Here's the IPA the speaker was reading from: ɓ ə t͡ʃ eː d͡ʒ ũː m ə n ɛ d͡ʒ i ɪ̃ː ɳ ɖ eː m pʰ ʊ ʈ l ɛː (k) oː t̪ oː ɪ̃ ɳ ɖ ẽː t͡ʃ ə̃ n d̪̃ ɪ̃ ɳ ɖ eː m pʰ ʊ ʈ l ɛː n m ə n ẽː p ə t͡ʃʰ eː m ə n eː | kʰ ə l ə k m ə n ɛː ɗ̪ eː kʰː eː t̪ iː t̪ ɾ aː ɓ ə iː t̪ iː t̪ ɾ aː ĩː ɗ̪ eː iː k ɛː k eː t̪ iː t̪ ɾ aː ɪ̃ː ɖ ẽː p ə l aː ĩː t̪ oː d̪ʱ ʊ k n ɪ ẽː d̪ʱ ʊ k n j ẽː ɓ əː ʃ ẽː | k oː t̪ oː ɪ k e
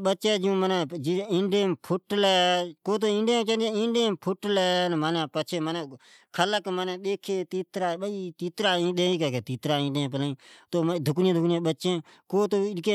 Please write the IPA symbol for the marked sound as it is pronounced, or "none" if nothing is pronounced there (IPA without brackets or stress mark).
k